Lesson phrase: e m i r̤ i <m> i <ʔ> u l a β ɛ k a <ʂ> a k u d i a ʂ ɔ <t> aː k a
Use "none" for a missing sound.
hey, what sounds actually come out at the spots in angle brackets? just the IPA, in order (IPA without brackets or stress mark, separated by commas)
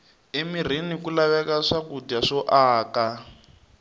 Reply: n, k, ʂ, ʔ